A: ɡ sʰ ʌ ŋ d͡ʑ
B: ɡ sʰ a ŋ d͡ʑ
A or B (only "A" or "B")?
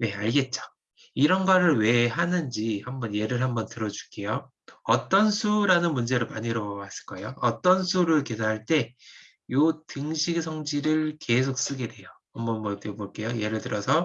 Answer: A